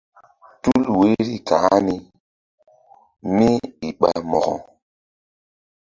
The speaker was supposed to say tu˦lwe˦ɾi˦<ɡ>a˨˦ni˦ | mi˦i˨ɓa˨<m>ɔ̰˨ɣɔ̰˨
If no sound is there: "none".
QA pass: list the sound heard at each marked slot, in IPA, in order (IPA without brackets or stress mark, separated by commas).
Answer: k, m